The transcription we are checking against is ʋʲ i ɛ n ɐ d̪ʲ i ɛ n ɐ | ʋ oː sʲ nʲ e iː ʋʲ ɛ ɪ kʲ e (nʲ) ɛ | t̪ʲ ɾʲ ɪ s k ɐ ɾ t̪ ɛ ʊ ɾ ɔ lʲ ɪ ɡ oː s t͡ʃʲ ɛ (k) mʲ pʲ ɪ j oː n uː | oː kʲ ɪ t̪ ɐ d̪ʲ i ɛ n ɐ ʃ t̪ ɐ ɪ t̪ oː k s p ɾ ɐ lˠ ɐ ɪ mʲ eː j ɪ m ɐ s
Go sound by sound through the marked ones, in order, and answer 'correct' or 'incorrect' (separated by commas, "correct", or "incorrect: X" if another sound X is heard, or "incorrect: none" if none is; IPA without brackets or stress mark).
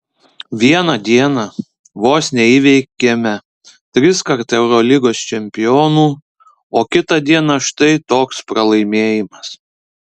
incorrect: mʲ, incorrect: none